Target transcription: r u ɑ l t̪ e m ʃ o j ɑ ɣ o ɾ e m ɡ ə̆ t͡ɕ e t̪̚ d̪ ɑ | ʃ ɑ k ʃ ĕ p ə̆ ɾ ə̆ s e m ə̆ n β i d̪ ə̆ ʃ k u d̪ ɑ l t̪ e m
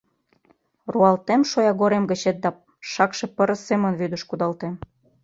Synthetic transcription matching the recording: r u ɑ l t̪ e m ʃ o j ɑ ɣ o ɾ e m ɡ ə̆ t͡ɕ e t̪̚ d̪ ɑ | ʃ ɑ k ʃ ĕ p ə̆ ɾ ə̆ s e m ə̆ n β y d̪ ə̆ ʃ k u d̪ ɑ l t̪ e m

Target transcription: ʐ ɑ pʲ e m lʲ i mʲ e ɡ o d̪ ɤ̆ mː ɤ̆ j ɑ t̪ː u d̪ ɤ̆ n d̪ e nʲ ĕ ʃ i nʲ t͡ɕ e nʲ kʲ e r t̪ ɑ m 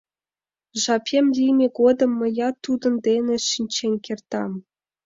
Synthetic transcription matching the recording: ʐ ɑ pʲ e m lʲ i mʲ e ɡ o d̪ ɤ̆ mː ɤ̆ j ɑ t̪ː u d̪ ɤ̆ n d̪ e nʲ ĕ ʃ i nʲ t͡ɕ e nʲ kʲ e r t̪ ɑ m

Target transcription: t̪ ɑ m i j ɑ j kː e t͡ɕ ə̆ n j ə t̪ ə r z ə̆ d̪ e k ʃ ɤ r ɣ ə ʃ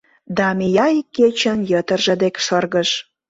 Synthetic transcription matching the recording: d̪ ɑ m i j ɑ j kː e t͡ɕ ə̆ n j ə t̪ ə r ʒ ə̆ d̪ e k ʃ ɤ r ɣ ə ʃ

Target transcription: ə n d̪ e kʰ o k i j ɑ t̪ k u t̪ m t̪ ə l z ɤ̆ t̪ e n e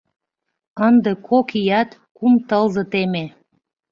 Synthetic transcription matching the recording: ə n d̪ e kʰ o k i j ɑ t̪ k u m t̪ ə l z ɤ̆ t̪ e m e

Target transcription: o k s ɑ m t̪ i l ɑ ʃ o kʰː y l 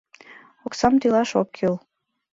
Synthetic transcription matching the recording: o k s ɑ m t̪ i l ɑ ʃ o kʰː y l

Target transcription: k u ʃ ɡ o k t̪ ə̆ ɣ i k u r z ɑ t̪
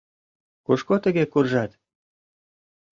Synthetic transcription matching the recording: k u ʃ k o t̪ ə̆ ɣ e k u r ʒ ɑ t̪

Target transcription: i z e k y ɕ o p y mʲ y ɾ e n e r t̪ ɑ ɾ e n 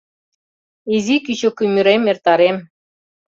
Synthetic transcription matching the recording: i z i k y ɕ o k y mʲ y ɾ e m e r t̪ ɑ ɾ e m

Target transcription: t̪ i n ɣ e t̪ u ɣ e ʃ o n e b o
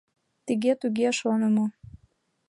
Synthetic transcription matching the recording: t̪ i ɣ e t̪ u ɣ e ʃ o n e m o

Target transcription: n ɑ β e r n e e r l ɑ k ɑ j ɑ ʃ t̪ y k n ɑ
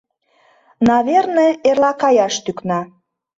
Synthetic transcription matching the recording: n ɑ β e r n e e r l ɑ k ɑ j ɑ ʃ t̪ y k n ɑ

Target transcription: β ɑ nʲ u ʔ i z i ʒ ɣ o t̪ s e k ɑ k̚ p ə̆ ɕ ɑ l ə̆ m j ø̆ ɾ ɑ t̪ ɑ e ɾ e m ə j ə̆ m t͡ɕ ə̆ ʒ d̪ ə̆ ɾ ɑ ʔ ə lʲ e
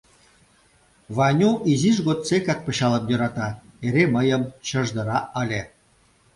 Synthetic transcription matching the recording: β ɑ nʲ u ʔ i z i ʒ ɣ o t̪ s e k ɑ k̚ p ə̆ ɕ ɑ l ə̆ m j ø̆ ɾ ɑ t̪ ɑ e ɾ e m ə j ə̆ m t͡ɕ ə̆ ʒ d̪ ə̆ ɾ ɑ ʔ ə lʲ e

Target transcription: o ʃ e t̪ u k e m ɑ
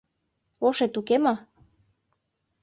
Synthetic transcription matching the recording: o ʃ e t̪ u k e m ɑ

